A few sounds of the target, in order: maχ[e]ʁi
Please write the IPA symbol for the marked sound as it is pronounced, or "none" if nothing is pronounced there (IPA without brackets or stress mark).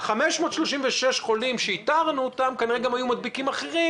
e